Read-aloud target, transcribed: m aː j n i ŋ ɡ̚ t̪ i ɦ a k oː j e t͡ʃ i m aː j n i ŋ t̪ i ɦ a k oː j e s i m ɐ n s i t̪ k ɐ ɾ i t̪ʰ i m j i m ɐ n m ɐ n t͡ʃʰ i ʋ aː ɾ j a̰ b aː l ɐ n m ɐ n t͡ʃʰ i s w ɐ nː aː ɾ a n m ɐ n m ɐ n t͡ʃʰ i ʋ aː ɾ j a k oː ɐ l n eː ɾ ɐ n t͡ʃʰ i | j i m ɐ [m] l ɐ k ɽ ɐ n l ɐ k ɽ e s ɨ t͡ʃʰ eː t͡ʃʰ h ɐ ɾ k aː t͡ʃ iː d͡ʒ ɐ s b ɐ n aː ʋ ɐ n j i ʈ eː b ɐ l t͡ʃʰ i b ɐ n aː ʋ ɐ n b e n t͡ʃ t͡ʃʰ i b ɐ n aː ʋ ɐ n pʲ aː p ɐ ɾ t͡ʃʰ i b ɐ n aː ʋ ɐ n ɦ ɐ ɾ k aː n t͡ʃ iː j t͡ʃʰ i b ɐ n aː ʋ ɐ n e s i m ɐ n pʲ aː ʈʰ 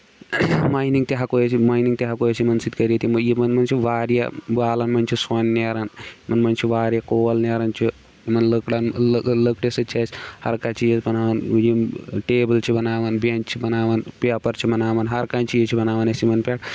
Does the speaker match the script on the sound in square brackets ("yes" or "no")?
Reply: no